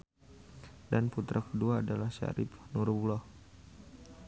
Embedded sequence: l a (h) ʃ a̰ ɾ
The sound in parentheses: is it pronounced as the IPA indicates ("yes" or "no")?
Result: yes